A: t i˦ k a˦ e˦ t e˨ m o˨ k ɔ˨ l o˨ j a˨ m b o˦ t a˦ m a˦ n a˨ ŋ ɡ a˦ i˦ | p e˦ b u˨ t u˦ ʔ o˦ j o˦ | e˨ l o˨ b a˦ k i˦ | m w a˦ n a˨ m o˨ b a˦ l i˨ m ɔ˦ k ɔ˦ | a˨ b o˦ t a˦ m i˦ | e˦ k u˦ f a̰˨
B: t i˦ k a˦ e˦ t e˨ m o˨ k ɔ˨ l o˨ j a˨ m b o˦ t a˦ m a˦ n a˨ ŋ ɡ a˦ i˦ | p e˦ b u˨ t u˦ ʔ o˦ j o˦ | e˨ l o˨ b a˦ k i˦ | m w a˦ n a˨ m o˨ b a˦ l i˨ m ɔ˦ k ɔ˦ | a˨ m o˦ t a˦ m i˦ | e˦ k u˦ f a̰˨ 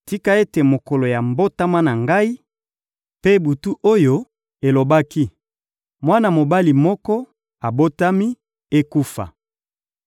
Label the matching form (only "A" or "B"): A